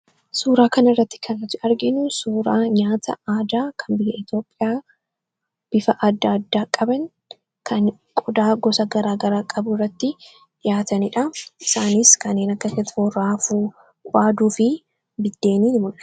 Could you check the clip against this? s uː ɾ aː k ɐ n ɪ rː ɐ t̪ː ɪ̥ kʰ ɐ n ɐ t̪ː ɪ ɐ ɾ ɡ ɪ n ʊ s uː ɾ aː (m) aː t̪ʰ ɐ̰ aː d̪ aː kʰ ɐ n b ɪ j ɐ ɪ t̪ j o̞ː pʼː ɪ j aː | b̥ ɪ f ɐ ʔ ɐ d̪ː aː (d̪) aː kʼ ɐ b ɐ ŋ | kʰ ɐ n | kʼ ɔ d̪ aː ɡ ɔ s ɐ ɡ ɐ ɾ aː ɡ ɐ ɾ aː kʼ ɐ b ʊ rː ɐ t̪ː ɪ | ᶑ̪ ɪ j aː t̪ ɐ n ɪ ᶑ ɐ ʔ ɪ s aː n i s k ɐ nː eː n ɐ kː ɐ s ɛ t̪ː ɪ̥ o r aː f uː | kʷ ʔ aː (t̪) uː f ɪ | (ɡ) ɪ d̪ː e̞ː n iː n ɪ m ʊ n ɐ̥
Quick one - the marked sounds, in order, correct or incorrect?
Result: incorrect, incorrect, incorrect, incorrect

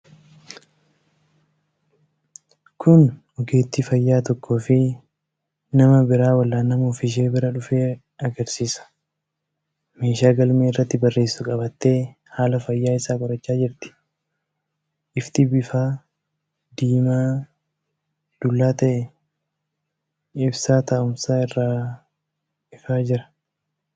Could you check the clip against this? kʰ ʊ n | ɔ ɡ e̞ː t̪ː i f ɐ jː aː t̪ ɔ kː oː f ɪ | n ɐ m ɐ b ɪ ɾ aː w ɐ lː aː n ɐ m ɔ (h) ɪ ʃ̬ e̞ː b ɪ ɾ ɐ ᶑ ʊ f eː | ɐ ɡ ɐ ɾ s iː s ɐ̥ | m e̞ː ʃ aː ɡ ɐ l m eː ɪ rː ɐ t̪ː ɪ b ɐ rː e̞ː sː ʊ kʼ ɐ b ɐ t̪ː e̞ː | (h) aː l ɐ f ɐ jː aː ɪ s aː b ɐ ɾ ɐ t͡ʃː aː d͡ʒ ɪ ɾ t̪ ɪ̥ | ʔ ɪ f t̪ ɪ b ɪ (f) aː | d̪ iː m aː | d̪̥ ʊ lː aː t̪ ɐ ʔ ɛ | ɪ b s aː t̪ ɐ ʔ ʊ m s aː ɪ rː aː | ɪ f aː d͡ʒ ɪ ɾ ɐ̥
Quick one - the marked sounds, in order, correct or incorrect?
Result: incorrect, correct, correct

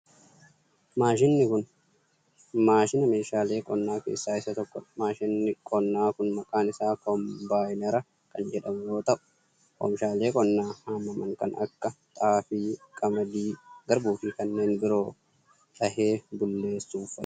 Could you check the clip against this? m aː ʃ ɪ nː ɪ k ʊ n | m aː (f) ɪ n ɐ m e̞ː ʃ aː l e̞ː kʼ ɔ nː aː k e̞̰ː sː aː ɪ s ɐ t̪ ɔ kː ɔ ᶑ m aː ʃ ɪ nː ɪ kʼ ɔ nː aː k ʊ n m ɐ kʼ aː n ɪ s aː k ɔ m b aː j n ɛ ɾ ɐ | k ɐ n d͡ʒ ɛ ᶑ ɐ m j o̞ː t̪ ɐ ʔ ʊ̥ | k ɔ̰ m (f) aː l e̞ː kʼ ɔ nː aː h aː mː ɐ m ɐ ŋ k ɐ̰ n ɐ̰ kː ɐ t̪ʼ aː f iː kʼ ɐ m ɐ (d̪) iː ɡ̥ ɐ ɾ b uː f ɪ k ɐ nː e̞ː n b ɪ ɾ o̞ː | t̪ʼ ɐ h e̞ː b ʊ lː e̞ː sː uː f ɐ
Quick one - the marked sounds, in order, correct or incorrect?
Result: incorrect, incorrect, correct

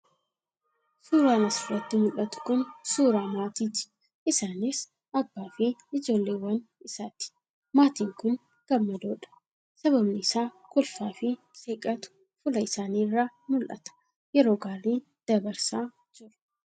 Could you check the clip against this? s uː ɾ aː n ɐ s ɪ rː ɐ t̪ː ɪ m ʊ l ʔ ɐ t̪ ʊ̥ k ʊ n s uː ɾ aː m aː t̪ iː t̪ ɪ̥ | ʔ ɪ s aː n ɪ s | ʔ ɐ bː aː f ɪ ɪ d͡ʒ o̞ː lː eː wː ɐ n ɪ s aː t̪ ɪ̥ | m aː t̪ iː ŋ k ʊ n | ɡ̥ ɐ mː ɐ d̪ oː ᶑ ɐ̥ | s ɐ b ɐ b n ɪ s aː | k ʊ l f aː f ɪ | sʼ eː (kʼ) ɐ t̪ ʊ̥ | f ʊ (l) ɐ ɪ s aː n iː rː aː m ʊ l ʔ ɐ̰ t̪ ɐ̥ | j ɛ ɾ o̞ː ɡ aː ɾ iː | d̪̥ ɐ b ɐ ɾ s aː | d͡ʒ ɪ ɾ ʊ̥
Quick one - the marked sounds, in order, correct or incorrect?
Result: correct, correct

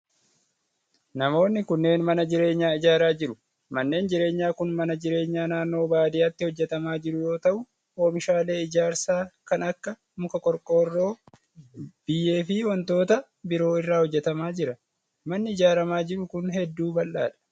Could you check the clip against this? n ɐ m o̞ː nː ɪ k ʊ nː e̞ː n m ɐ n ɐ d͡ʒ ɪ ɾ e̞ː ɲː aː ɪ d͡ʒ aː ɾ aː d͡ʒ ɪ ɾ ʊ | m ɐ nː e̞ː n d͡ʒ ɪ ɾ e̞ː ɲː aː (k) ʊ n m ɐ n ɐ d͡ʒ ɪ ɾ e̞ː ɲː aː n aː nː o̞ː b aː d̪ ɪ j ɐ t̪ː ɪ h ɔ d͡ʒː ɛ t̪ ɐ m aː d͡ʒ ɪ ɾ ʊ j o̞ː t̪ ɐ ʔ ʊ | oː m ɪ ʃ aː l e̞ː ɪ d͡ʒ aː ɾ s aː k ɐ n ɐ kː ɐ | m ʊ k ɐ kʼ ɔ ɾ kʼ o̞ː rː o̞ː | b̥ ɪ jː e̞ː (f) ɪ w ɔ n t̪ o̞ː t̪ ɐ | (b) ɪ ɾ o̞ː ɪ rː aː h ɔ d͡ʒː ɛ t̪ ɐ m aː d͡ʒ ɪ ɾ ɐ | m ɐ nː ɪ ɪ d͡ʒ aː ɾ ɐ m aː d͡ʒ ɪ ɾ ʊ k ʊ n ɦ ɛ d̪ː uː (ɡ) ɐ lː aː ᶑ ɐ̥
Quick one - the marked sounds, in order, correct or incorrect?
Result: correct, correct, correct, incorrect

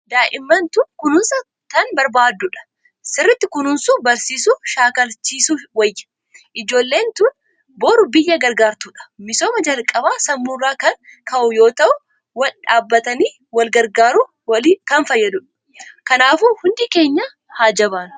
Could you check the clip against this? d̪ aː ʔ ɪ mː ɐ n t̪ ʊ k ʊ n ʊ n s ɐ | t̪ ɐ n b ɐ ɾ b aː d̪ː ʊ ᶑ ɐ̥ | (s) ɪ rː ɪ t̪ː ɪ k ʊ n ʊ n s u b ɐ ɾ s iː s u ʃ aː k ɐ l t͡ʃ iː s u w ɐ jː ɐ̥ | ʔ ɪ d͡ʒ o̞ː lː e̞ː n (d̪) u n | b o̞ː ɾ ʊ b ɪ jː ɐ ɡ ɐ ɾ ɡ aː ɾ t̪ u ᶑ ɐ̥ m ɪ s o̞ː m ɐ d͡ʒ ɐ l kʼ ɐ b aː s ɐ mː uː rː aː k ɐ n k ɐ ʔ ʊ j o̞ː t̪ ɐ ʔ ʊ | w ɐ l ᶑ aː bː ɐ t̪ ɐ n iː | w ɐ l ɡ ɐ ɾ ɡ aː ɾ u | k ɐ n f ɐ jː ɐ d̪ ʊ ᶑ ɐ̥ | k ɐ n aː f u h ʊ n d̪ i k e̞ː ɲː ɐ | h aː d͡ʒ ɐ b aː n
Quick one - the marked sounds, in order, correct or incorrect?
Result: correct, incorrect

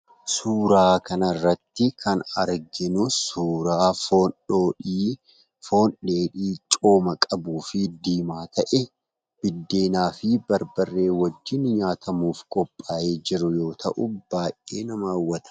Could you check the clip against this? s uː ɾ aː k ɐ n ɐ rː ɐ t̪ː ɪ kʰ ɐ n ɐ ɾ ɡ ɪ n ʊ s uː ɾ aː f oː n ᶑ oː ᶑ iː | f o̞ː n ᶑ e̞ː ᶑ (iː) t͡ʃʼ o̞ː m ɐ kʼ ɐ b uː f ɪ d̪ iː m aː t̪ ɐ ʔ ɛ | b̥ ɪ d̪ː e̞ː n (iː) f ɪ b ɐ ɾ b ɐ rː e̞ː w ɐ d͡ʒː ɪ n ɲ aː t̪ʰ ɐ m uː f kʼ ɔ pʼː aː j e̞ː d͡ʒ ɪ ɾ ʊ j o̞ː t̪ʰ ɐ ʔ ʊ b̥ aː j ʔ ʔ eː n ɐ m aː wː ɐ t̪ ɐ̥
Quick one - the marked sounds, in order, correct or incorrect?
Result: correct, incorrect

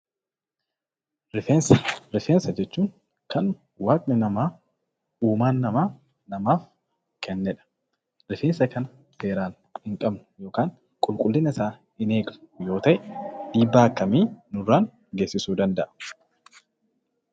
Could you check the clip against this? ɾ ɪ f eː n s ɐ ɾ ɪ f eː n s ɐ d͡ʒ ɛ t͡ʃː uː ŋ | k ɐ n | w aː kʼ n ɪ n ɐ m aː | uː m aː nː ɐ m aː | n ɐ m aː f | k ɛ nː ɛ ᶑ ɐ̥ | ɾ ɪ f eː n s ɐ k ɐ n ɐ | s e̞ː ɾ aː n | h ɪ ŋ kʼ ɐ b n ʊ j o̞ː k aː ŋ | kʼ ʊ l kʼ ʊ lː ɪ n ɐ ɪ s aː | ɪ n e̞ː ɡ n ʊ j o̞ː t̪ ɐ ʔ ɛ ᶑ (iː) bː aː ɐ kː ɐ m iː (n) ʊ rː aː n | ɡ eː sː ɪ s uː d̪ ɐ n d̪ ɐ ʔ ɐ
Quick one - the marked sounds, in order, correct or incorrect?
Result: correct, correct

